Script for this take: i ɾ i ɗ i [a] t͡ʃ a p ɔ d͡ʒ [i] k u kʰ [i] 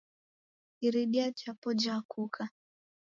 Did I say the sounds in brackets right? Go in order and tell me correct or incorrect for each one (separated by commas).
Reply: correct, incorrect, incorrect